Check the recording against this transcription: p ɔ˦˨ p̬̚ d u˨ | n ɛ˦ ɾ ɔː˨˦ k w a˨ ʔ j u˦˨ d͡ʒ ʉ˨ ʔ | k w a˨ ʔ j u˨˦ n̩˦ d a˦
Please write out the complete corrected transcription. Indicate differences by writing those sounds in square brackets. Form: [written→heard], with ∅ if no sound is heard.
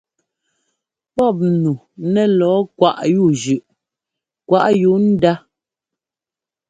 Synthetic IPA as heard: p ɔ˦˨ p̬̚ [d→n] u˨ | n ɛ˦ [ɾ→l] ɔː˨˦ k w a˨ ʔ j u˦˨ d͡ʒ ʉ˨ ʔ | k w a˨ ʔ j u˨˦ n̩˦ d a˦